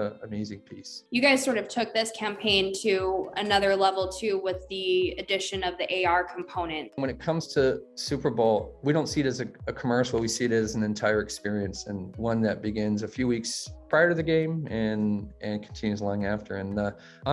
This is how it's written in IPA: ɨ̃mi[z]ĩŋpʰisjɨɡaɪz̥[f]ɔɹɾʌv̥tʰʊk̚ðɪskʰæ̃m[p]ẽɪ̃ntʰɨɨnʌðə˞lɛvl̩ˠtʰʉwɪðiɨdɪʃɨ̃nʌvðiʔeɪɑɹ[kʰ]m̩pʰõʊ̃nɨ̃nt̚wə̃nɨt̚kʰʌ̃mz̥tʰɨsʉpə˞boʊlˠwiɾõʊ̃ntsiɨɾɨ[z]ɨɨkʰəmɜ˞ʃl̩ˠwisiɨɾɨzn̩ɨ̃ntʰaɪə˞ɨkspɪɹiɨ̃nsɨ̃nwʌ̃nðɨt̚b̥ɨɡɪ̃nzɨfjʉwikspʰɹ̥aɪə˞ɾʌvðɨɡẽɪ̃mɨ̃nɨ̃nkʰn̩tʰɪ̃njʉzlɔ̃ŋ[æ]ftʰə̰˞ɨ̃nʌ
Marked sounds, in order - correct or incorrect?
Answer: correct, incorrect: s, incorrect: pʰ, correct, correct, correct

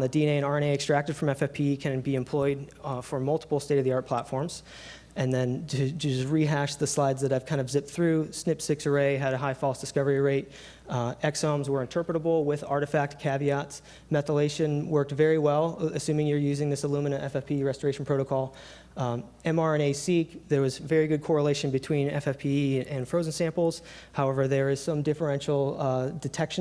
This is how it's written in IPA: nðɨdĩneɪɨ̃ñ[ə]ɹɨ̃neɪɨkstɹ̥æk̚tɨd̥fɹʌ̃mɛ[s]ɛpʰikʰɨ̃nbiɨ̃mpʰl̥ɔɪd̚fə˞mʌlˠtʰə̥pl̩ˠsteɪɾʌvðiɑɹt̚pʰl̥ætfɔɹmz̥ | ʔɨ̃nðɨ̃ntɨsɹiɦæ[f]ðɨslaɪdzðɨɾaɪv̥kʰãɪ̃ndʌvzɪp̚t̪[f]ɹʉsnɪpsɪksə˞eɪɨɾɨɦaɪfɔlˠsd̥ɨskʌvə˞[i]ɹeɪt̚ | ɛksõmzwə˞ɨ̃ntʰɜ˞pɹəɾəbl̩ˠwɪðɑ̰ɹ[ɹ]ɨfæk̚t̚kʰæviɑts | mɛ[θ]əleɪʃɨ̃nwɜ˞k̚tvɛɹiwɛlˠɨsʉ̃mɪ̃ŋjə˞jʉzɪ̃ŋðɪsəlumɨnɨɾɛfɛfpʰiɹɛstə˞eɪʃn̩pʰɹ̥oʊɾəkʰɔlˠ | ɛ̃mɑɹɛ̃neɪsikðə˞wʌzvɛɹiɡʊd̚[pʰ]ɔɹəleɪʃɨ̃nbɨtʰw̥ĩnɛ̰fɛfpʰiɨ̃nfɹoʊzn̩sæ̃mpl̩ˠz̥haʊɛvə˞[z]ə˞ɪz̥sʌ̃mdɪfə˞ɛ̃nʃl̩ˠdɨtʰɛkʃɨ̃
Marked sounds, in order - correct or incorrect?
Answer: incorrect: ɑ, incorrect: f, incorrect: ʃ, incorrect: θ, correct, incorrect: ɾ, correct, incorrect: kʰ, incorrect: ð

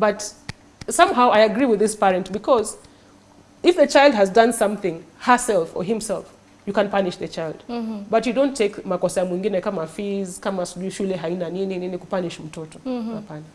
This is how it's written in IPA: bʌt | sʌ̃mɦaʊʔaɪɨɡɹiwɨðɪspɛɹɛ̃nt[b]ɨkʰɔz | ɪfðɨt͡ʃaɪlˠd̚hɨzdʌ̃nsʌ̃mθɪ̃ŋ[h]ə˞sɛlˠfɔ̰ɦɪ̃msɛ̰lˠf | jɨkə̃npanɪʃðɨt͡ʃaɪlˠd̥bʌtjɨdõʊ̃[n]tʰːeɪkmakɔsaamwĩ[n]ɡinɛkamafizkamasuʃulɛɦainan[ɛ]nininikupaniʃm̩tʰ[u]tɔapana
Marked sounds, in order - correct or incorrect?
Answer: correct, correct, correct, incorrect: ŋ, incorrect: i, incorrect: ɔ

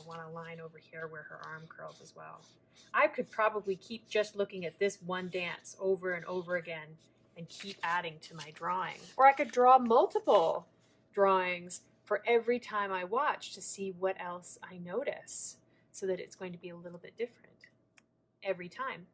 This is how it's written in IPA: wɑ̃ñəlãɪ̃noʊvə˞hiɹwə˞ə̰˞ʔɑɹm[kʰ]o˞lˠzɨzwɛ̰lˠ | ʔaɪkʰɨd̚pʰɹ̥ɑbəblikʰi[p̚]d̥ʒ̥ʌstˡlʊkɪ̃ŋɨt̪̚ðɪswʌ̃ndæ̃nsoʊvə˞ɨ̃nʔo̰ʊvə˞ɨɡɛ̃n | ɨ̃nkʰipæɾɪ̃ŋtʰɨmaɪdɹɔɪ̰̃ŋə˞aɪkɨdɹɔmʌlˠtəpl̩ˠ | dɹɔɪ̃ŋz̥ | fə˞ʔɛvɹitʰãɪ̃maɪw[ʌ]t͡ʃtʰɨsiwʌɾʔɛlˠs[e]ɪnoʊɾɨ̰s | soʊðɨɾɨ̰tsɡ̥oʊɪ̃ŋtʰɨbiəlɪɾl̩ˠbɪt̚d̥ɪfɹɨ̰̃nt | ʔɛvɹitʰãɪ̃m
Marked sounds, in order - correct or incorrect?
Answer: correct, correct, incorrect: ɑ, incorrect: a

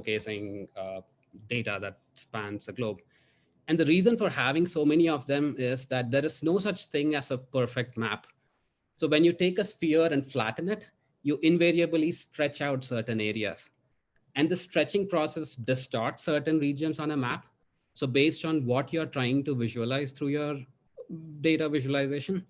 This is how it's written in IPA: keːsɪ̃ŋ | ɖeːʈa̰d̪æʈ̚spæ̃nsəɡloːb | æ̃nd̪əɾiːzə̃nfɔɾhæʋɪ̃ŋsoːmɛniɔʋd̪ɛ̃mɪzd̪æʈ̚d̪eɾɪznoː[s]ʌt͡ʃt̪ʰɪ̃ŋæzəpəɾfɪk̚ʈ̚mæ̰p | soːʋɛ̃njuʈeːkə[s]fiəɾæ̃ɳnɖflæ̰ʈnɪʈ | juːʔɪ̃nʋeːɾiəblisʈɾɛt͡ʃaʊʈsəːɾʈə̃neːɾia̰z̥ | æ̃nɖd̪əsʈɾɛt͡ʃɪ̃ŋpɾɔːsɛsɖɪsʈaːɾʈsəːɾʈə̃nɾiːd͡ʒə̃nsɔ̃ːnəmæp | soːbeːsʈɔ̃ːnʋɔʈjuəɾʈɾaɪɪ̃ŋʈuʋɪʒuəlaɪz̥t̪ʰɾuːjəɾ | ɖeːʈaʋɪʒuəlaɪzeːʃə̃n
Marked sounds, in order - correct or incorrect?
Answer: correct, correct

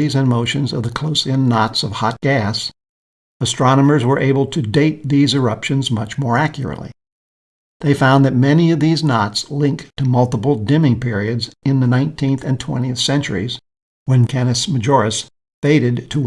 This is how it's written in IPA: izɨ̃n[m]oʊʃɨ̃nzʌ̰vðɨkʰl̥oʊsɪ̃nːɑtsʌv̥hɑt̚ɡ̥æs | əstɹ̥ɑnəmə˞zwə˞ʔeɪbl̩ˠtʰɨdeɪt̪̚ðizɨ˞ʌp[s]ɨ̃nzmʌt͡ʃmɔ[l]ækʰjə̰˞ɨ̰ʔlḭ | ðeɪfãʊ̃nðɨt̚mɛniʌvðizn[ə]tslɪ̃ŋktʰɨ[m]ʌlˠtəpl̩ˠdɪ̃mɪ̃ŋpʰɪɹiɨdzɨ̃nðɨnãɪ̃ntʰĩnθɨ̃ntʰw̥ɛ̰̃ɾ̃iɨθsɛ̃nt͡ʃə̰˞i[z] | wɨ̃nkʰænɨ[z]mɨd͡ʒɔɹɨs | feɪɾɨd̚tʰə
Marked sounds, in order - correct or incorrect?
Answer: correct, incorrect: ʃ, incorrect: ɹ, incorrect: ɑ, correct, correct, incorrect: s

